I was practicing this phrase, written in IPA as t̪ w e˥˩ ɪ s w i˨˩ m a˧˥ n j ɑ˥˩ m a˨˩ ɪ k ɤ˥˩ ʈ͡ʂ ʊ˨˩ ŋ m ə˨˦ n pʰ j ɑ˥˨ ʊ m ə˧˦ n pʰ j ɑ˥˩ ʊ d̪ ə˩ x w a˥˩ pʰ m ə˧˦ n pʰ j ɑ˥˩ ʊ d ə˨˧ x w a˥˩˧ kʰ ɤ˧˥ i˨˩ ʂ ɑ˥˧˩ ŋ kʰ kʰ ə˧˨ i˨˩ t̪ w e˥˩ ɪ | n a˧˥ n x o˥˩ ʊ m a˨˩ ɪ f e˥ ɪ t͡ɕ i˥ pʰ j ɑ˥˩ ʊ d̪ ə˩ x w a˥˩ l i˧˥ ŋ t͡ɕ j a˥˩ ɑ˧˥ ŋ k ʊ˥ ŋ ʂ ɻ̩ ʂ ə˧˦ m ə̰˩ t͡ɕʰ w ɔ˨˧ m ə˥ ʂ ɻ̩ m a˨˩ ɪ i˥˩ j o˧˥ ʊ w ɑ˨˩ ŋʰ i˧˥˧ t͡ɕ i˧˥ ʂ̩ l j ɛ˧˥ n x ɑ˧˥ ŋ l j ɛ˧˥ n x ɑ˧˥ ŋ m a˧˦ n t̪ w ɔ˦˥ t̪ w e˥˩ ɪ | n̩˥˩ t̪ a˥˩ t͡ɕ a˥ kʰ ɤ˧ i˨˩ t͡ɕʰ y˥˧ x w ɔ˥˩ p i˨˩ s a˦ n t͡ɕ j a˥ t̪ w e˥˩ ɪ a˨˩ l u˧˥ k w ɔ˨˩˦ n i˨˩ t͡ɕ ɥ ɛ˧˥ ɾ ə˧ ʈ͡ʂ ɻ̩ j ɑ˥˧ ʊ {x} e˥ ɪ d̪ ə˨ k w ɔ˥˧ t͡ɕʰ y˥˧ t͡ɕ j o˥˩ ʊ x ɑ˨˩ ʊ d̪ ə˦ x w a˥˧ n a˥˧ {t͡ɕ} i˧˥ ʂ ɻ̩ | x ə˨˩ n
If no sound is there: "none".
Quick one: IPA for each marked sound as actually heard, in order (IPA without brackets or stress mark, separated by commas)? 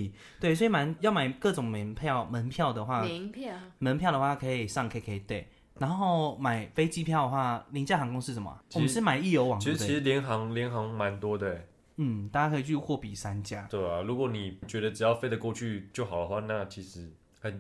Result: f, t͡ɕʰ